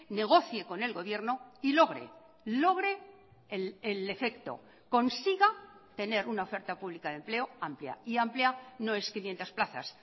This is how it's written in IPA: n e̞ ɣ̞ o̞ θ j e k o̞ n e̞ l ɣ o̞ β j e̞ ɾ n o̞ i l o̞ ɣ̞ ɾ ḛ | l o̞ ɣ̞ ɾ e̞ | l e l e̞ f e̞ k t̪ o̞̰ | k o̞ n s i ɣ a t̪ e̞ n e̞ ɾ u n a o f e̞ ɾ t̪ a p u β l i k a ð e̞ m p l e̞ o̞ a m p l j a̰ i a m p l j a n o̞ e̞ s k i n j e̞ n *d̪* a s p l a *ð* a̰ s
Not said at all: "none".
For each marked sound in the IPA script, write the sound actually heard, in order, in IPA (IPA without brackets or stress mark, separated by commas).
t̪, θ